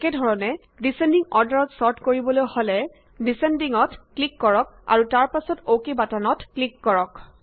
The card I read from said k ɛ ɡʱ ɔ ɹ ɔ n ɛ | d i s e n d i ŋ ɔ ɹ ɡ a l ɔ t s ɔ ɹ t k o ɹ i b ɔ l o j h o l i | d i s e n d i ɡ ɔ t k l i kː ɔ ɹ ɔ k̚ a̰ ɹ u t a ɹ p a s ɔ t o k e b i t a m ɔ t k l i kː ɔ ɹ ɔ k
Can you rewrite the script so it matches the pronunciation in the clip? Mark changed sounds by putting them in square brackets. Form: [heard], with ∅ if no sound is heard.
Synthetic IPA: k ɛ [dʱ] ɔ ɹ ɔ n ɛ | d i s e n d i ŋ ɔ ɹ [d] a [ɹ] ɔ t s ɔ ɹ t k o ɹ i b ɔ l o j h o l [ɛ] | d i s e n d i [ŋ] ɔ t k l i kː ɔ ɹ ɔ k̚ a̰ ɹ u t a ɹ p a s ɔ t o k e b [a] t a [n] ɔ t k l i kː ɔ ɹ ɔ k

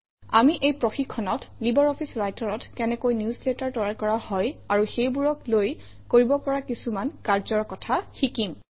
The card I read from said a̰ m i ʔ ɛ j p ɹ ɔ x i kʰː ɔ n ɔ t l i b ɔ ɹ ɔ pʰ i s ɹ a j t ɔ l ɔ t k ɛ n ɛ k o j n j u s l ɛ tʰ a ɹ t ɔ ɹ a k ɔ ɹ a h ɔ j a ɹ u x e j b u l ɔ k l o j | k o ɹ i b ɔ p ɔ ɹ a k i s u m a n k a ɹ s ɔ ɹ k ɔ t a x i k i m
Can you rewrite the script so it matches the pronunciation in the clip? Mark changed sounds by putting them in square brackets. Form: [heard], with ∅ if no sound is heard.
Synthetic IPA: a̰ m i ʔ [e] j p ɹ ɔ x i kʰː ɔ n ɔ t l i b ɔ ɹ ɔ pʰ i s ɹ a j t ɔ [ɹ] ɔ t k ɛ n ɛ k o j n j u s l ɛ [t] a ɹ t ɔ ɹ a k ɔ ɹ a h ɔ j a ɹ u x e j b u [ɹ] ɔ k l o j | k o ɹ i b ɔ p ɔ ɹ a k i s u m a n k a ɹ [z] ɔ ɹ k ɔ [tʰ] a x i k i m

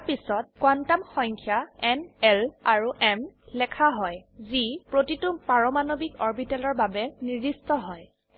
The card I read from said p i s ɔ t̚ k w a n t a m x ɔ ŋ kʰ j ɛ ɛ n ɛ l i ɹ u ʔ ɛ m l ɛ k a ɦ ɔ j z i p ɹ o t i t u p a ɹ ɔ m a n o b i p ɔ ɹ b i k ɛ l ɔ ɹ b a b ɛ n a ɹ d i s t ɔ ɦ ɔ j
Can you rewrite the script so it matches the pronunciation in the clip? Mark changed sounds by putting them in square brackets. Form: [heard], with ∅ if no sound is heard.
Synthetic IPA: p i s ɔ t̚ k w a n t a m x ɔ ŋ kʰ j [a] ɛ n ɛ l [a] ɹ u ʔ ɛ m l ɛ [kʰ] a ɦ ɔ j z i p ɹ o t i t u p a ɹ ɔ m a n o b i [k] ɔ ɹ b i [t] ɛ l ɔ ɹ b a b ɛ n [i] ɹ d i s t ɔ ɦ ɔ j

